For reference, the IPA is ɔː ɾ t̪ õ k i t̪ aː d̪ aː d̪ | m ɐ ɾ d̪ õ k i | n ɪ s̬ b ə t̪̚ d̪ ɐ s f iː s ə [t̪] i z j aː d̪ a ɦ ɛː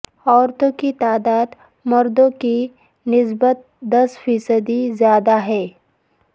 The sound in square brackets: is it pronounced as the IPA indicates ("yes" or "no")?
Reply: no